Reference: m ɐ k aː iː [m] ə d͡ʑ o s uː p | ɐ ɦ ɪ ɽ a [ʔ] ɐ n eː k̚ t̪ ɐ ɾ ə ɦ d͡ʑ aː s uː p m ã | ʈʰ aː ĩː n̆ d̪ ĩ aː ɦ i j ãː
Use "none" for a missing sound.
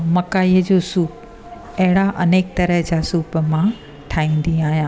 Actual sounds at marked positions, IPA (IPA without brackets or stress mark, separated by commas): none, ʔ